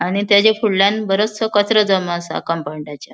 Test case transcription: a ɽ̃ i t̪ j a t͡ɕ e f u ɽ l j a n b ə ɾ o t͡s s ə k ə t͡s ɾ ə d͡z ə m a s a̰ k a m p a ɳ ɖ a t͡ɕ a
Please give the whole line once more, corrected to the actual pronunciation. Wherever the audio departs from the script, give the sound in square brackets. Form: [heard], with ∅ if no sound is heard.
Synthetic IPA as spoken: a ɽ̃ i t̪ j a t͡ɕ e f u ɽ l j a n b ə ɾ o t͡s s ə k ə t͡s ɾ ə d͡z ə m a s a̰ k a m p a ɳ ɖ a t͡ɕ a